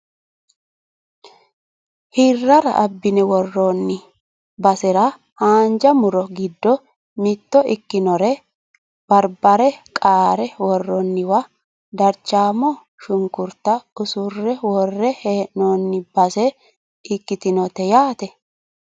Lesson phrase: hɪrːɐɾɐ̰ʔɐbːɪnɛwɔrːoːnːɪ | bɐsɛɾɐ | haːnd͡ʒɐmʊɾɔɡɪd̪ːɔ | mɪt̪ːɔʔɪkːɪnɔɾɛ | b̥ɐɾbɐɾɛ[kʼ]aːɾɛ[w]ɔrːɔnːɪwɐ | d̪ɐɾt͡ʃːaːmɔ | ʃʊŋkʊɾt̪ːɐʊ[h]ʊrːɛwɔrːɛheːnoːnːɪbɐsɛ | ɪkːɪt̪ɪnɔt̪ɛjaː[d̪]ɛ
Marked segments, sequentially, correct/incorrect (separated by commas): correct, correct, incorrect, incorrect